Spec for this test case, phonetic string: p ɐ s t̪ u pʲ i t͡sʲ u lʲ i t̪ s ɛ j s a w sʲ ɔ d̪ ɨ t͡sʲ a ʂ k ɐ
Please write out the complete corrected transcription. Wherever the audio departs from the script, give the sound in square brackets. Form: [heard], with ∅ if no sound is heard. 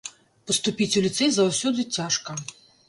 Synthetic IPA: p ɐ s t̪ u pʲ i t͡sʲ u lʲ i t̪ s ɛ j [z] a w sʲ ɔ d̪ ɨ t͡sʲ a ʂ k ɐ